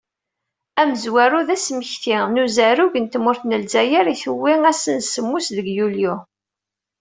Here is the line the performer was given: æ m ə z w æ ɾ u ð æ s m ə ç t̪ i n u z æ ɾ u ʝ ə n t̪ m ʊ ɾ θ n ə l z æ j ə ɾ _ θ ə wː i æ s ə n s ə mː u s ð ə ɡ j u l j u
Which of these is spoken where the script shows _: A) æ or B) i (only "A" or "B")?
B